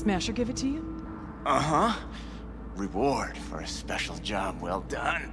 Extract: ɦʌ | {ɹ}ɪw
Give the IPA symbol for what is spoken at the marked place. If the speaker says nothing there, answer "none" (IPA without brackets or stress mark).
ɹ